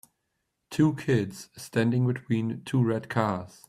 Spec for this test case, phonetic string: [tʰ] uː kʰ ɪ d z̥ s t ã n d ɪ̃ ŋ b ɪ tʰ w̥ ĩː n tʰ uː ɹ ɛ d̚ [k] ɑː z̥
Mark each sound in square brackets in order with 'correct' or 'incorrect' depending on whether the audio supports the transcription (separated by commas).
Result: correct, incorrect